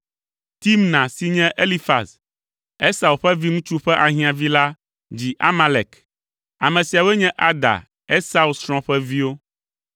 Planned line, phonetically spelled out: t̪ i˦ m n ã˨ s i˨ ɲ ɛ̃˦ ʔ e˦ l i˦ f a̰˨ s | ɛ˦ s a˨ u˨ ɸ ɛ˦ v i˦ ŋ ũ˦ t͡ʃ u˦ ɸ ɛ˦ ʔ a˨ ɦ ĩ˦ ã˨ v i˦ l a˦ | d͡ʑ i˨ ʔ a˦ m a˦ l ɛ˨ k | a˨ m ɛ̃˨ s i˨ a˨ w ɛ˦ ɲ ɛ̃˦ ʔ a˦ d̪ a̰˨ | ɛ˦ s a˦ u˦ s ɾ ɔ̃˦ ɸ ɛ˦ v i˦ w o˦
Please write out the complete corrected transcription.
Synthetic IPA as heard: t̪ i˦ m n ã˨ s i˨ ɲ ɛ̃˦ ʔ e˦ l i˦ f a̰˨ s | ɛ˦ s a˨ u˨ ɸ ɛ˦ v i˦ ŋ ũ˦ t͡ʃ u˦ ɸ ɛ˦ ʔ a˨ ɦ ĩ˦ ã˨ v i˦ l a˦ | d͡ʑ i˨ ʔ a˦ m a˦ l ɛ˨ k | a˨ m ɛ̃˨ s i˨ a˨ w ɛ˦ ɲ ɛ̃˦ ʔ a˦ d̪ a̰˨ | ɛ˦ s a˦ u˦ s ɾ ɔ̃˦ ɸ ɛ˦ v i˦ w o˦